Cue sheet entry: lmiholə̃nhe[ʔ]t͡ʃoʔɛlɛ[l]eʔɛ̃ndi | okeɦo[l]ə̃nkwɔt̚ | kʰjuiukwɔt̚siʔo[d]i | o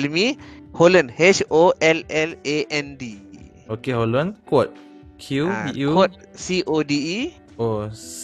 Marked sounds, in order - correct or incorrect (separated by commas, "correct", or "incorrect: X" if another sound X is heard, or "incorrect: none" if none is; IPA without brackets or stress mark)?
incorrect: none, correct, correct, correct